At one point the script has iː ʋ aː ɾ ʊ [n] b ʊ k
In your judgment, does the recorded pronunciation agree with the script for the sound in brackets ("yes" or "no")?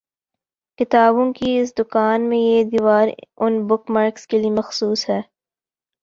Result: yes